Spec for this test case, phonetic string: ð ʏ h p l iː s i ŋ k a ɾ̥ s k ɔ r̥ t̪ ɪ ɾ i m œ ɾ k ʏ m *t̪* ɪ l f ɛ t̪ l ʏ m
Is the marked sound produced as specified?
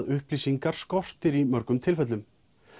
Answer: no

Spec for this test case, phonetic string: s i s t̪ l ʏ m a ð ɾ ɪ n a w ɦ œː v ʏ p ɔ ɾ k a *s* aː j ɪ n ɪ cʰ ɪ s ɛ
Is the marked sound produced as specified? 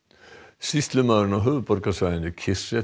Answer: yes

